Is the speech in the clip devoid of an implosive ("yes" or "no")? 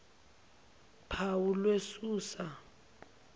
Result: yes